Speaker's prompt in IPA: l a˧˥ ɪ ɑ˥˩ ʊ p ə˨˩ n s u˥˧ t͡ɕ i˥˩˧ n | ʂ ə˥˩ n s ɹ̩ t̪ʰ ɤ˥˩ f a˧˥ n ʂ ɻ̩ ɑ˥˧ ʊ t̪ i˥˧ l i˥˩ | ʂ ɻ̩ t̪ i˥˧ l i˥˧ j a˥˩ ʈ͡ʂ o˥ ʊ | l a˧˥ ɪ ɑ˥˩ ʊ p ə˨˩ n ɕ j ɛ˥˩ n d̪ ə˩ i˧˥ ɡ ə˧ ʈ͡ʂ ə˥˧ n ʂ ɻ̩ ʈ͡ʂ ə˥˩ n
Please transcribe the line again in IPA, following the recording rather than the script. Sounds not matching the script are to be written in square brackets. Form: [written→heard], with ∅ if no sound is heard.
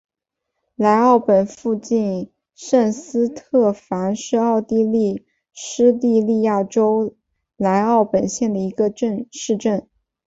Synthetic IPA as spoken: l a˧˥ ɪ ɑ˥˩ ʊ p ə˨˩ n [s→f] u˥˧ t͡ɕ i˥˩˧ n | ʂ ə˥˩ n s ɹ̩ t̪ʰ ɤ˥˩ f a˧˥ n ʂ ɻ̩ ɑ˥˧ ʊ t̪ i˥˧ l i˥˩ | ʂ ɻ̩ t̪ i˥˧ l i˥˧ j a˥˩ ʈ͡ʂ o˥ ʊ | l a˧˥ ɪ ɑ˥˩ ʊ p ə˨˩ n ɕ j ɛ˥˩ n d̪ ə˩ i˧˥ ɡ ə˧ ʈ͡ʂ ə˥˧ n ʂ ɻ̩ ʈ͡ʂ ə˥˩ n